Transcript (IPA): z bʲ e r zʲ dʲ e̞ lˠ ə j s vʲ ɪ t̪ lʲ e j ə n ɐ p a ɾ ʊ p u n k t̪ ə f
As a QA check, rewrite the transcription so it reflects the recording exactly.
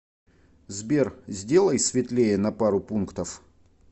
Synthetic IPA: z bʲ e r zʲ dʲ e̞ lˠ ə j s vʲ ɪ t̪ lʲ e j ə n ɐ p a ɾ ʊ p u n k t̪ ə f

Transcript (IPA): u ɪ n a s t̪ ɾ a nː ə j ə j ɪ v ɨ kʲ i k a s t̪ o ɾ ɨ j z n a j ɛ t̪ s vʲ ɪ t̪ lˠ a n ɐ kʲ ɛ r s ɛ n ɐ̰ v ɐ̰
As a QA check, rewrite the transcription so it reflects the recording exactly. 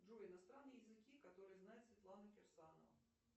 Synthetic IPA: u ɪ n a s t̪ ɾ a nː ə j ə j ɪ z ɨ kʲ i k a t̪ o ɾ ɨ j z n a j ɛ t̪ s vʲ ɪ t̪ lˠ a n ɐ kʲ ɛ r s a n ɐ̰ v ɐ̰

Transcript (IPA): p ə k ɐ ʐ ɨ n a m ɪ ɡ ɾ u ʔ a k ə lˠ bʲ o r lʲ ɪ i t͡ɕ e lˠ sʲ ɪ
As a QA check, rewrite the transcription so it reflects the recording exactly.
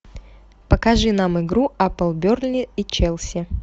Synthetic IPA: p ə k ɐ ʐ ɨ n a m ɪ ɡ ɾ u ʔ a p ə lˠ bʲ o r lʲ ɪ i t͡ɕ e lˠ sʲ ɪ

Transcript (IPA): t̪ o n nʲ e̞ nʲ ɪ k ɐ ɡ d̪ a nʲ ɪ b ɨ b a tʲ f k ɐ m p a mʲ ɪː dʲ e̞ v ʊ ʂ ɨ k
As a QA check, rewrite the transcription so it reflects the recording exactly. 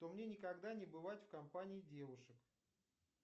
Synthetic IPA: t̪ o m nʲ e̞ nʲ ɪ k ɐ ɡ d̪ a nʲ ɪ b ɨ v a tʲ f k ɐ m p a nʲ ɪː dʲ e̞ v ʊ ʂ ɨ k

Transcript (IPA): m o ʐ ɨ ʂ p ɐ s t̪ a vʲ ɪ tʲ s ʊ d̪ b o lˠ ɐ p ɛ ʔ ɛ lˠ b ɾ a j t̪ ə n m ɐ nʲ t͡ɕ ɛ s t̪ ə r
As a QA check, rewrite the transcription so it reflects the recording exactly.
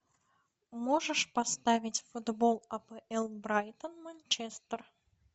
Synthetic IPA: m o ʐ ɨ ʂ p ɐ s t̪ a vʲ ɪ tʲ f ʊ d̪ b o lˠ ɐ p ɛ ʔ ɛ lˠ b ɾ a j t̪ ə n m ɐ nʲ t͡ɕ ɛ s t̪ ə r

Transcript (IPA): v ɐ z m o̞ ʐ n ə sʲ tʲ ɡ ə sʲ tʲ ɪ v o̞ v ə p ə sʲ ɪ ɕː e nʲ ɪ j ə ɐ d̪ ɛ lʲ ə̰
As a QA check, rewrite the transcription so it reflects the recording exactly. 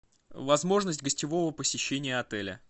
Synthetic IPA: v ɐ z m o̞ ʐ n ə sʲ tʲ ɡ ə sʲ tʲ ɪ v o̞ v ə p ə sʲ ɪ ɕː e nʲ ɪ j ə ɐ t̪ ɛ lʲ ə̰

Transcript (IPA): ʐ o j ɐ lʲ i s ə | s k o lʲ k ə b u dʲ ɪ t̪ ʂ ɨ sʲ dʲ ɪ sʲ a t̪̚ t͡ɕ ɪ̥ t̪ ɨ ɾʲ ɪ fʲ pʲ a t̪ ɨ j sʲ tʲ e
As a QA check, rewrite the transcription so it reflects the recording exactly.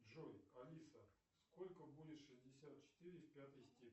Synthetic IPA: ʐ o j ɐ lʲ i s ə | s k o lʲ k ə b u dʲ ɪ t̪ ʂ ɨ zʲ dʲ ɪ sʲ a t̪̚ t͡ɕ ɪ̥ t̪ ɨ ɾʲ ɪ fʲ pʲ a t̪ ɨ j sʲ tʲ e

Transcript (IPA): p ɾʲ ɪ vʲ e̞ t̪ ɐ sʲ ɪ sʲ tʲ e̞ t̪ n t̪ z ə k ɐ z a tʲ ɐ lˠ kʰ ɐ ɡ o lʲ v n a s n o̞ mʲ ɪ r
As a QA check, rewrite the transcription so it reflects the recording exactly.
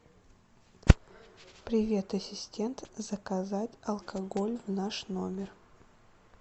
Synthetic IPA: p ɾʲ ɪ vʲ e̞ t̪ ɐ sʲ ɪ sʲ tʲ e̞ n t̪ z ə k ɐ z a tʲ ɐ lˠ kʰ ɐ ɡ o lʲ v n a ʂ n o̞ mʲ ɪ r

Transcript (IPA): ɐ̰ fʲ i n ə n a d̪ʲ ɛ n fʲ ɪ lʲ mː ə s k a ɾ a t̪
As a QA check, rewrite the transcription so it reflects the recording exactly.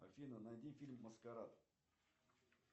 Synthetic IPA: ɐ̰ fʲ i n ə n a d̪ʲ i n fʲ i lʲ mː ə s k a ɾ a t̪

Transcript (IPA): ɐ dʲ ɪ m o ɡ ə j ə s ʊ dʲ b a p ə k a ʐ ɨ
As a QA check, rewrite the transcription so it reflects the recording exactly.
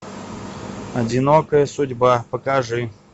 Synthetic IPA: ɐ dʲ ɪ n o k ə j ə s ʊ dʲ b a p ə k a ʐ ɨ

